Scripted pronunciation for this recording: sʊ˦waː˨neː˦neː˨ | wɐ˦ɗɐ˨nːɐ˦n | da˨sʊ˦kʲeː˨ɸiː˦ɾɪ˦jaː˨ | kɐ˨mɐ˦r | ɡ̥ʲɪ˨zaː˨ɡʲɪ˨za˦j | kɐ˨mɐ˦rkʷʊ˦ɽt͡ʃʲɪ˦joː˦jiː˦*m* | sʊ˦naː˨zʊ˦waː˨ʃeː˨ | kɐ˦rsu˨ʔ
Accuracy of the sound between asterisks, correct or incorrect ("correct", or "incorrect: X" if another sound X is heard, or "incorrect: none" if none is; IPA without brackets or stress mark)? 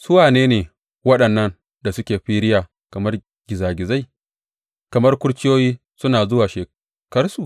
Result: incorrect: none